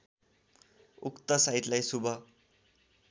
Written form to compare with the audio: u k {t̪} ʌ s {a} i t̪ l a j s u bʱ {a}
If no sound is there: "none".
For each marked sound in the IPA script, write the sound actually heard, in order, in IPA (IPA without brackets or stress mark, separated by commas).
t̪, a, ʌ